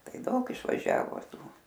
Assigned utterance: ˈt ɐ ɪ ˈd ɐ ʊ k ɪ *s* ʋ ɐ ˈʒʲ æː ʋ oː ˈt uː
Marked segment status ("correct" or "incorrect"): incorrect